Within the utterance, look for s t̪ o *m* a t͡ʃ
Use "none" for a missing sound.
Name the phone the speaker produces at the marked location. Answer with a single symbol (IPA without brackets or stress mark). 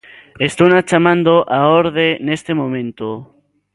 n